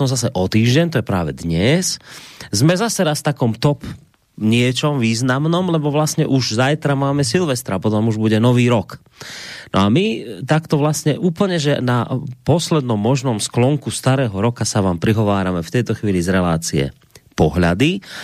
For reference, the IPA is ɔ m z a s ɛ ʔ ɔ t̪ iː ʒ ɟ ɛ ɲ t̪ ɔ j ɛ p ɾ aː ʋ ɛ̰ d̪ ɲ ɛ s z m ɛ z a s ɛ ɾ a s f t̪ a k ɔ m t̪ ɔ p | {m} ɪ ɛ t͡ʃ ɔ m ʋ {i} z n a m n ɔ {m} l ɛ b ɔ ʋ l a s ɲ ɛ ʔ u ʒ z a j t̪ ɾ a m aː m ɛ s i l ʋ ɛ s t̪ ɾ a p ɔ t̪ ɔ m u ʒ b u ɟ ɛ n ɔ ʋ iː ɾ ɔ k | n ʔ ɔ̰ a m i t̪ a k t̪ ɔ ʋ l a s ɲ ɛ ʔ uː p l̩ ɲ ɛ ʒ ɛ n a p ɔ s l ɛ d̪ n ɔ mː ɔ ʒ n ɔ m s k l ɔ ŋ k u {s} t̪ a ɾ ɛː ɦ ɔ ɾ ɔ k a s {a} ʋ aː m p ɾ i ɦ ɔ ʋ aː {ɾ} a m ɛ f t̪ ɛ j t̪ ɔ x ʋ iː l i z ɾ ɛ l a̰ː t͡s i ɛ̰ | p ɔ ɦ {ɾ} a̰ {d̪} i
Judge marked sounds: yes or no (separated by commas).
no, no, yes, yes, yes, yes, no, yes